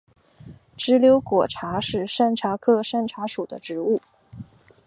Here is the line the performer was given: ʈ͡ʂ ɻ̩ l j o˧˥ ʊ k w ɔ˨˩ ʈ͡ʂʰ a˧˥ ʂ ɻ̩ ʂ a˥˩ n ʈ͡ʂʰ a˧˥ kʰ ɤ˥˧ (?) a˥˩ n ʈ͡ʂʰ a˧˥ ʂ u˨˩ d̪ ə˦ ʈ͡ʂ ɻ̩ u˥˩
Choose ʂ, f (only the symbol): ʂ